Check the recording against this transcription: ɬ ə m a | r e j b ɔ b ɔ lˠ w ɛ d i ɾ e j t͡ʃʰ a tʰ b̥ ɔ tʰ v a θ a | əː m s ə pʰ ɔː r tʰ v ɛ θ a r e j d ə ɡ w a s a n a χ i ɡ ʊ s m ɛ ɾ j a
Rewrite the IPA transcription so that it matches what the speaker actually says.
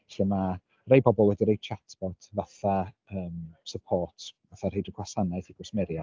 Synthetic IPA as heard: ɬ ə m a | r e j b ɔ b ɔ lˠ w ɛ d i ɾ e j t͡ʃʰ a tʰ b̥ ɔ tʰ v a θ a | əː m s ə pʰ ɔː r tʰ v a θ a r e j d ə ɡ w a s a n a θ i ɡ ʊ s m ɛ ɾ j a